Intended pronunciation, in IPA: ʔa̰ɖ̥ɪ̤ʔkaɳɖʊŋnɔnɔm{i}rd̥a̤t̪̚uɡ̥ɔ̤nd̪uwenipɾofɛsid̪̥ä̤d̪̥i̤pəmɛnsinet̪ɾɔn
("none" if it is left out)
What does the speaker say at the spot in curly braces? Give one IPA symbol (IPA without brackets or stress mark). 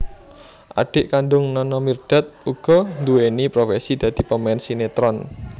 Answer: i